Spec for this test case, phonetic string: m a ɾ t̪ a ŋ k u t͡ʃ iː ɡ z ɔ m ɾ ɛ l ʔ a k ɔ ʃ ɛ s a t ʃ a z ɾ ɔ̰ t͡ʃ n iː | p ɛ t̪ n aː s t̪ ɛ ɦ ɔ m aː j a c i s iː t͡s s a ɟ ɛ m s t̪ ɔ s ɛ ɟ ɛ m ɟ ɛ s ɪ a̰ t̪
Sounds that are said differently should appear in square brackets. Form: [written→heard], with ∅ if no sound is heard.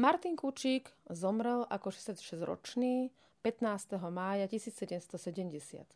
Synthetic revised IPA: m a ɾ t̪ [a→i] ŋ k u t͡ʃ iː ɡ z ɔ m ɾ ɛ l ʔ a k ɔ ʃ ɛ s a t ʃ [a→ɛ] z ɾ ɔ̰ t͡ʃ n iː | p ɛ t̪ n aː s t̪ ɛ ɦ ɔ m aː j a c i s iː t͡s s [a→ɛ] ɟ ɛ m s t̪ ɔ s ɛ ɟ ɛ m ɟ ɛ s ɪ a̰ t̪